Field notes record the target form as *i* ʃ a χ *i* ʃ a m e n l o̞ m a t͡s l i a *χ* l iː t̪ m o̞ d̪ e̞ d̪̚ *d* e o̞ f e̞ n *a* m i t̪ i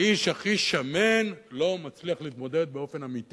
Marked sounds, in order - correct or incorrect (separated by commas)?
correct, correct, correct, incorrect, correct